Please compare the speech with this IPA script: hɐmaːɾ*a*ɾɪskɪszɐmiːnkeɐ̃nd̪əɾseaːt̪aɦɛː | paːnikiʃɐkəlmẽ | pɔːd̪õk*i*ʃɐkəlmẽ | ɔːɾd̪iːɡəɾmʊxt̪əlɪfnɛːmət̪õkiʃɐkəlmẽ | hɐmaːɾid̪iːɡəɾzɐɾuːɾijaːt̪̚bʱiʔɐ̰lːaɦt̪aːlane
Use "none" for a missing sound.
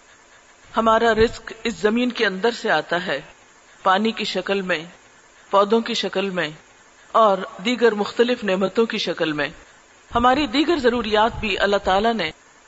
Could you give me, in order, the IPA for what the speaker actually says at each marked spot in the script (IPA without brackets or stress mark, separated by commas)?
a, i